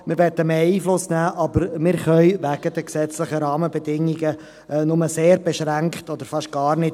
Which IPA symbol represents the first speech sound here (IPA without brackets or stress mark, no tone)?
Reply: m